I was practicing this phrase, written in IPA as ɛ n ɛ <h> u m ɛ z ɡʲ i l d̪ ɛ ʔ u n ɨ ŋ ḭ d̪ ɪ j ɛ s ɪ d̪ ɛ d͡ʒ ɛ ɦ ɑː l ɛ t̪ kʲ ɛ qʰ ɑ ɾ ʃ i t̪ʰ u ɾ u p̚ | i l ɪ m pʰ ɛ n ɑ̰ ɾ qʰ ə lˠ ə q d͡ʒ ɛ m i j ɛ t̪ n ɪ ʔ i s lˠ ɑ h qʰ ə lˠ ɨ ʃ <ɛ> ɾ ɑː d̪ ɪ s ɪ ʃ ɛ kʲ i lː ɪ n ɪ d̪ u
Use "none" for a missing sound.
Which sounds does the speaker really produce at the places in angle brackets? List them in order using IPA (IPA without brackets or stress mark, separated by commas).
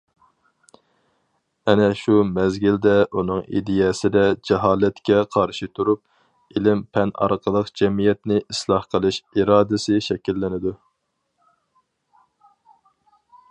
ʃ, i